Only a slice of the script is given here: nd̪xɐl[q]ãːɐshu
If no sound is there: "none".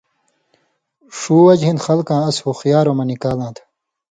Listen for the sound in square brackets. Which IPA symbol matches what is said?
k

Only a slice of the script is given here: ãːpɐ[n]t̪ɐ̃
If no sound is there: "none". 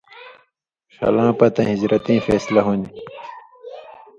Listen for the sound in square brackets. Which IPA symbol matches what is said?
none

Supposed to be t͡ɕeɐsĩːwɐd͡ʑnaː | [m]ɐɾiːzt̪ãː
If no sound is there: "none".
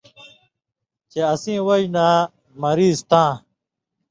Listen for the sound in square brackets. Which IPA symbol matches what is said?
m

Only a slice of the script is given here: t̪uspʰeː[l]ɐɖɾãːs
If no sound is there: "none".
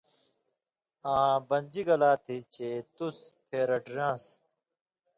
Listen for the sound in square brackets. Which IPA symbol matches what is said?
ɾ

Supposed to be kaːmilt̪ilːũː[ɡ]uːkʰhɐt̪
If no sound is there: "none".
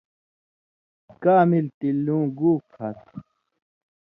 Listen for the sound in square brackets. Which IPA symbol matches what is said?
ɡ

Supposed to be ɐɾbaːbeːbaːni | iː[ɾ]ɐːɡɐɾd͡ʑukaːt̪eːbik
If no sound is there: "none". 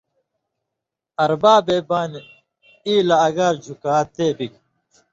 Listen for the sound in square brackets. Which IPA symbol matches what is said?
l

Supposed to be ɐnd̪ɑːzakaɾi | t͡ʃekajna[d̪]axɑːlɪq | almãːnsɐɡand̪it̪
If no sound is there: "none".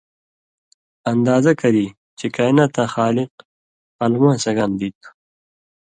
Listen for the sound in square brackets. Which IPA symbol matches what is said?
t̪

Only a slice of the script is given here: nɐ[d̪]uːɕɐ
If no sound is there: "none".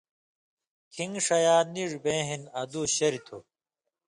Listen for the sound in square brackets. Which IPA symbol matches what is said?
d̪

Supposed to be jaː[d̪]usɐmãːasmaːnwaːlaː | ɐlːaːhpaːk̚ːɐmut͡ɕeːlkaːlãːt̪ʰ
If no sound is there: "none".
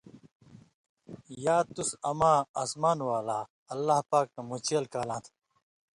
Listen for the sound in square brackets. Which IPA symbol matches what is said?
t̪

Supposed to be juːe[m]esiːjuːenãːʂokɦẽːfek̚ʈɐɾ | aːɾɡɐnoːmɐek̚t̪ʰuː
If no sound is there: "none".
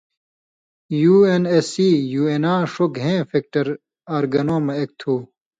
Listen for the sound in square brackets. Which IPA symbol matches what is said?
n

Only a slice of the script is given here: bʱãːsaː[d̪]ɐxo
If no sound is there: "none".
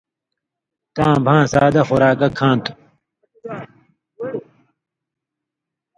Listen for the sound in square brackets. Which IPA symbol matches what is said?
d̪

